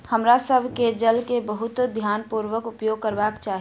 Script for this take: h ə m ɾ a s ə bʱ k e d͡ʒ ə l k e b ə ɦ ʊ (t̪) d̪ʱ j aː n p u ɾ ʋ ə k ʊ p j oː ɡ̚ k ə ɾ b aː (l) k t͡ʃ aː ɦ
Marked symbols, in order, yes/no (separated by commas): yes, no